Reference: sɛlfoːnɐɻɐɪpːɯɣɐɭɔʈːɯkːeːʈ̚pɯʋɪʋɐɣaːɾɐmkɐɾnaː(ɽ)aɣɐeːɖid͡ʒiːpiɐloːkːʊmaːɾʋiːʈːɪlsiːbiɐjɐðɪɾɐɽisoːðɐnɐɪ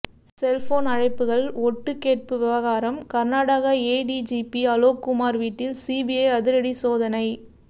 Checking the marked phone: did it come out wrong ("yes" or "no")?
no